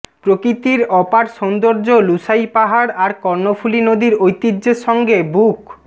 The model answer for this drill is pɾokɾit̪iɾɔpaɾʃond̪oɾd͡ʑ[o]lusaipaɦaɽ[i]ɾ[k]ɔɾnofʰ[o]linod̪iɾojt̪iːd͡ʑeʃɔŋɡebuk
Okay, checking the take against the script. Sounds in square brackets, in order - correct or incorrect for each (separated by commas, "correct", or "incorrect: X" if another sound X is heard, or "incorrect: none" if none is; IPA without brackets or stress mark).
correct, incorrect: a, correct, incorrect: u